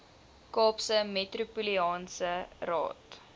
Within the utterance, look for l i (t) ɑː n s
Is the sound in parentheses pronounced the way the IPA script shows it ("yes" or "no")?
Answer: no